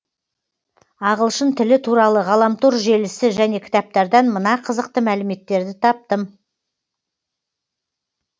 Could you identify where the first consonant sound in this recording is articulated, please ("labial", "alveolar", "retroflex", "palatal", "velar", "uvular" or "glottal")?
uvular